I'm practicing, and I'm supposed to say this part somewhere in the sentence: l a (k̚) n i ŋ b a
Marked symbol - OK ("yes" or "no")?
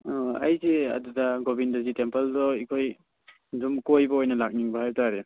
yes